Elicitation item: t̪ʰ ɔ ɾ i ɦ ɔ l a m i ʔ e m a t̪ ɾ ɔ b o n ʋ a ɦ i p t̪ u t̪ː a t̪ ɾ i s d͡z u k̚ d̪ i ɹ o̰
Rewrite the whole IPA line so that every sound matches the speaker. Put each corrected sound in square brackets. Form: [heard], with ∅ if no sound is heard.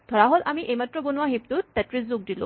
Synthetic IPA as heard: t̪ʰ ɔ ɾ [a] ɦ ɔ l a m i ʔ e m a t̪ ɾ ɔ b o n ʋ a ɦ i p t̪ u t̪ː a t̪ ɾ i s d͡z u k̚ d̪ i [l] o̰